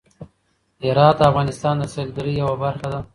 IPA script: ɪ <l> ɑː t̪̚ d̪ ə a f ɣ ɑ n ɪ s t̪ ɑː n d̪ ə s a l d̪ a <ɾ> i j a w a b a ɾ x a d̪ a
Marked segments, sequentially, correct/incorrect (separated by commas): incorrect, correct